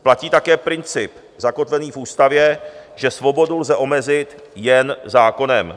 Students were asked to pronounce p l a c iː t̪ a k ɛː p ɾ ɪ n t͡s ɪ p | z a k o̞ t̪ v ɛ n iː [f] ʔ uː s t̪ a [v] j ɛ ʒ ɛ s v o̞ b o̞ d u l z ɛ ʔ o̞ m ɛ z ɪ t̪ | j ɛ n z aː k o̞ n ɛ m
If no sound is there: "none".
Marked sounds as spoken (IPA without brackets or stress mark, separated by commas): f, v